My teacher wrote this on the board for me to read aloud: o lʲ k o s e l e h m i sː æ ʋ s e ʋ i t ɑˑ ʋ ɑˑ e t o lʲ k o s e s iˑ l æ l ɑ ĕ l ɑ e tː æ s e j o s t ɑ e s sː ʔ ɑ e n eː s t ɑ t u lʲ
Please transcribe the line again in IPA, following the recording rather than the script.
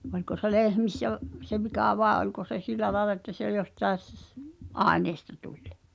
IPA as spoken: o lʲ k o s e l e h m i sː æ ʋ s e ʋ i k ɑˑ ʋ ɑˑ e ʔ o lʲ k o s e s iˑ l æ l ɑ ĕ l ɑ e tː æ s e j o s t ɑ e s sː ʔ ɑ e n eː s t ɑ t u lʲ